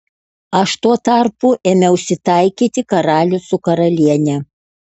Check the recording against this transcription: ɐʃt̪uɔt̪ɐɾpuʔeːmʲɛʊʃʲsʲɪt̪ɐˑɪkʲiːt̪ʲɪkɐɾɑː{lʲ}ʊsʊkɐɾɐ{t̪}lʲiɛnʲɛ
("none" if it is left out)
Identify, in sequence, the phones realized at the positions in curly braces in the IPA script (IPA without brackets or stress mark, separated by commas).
lʲ, none